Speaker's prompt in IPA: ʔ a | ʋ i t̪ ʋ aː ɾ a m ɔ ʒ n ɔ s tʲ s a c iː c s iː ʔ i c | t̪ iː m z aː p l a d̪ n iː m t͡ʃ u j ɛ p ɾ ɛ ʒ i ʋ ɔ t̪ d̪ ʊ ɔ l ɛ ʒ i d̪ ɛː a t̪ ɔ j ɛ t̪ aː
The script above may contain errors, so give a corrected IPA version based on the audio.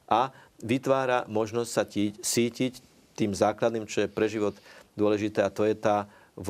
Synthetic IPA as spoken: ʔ a | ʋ i t̪ ʋ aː ɾ a m ɔ ʒ n ɔ s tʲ s a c iː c s iː c i c | t̪ iː m z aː k l a d̪ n iː m t͡ʃ ɔ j ɛ p ɾ ɛ ʒ i ʋ ɔ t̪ d̪ ʊ ɔ l ɛ ʒ i t̪ ɛː a t̪ ɔ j ɛ t̪ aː